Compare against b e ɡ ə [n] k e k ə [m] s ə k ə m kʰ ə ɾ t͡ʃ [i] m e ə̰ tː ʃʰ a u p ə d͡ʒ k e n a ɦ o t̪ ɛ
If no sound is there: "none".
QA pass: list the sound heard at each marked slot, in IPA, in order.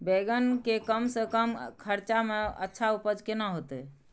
n, m, a

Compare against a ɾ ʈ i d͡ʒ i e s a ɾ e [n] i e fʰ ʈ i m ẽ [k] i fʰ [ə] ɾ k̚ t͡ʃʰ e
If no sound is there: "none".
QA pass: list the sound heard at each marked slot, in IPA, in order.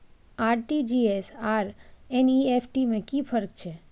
n, k, ə

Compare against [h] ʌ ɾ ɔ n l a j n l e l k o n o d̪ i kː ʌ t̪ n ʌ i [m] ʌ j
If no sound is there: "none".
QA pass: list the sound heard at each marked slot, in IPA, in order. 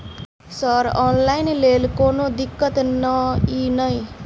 s, n

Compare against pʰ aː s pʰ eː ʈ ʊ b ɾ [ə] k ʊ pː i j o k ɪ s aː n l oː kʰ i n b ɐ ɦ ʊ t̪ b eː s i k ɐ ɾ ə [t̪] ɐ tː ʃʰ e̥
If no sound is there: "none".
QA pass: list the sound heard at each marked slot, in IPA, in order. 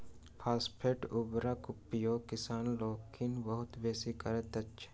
a, t̪

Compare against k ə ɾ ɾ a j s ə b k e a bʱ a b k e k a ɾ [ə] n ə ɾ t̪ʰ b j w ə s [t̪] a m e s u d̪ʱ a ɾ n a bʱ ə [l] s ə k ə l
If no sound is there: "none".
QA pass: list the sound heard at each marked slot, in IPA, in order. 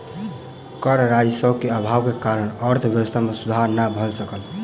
ə, t̪ʰ, l

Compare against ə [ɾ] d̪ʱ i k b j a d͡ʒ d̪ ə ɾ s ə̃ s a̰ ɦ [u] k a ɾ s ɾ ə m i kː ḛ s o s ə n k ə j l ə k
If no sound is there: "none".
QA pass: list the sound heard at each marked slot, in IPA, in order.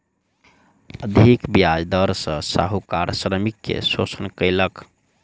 none, u

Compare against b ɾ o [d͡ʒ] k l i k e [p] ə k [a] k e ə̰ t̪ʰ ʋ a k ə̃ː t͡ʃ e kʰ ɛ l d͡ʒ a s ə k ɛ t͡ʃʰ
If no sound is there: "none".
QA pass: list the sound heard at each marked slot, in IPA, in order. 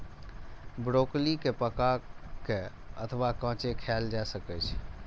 none, p, a

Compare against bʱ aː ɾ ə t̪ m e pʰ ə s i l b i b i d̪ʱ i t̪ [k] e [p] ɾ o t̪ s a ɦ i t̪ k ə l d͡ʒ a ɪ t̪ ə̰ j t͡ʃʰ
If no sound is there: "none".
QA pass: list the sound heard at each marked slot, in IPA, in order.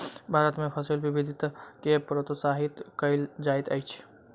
k, p

